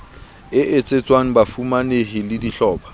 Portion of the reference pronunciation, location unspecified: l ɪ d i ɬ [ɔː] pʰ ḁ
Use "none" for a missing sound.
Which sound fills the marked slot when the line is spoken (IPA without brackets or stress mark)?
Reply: ɔː